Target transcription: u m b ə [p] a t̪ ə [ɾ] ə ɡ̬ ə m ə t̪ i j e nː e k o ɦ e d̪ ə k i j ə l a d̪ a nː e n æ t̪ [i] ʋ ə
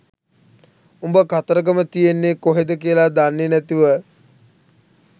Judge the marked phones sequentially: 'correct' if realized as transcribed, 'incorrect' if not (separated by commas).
incorrect, correct, correct